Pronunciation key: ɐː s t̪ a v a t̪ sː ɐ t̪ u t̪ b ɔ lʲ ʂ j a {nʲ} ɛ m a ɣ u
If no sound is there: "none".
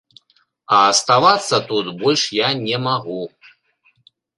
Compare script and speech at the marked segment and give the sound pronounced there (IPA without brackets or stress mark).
nʲ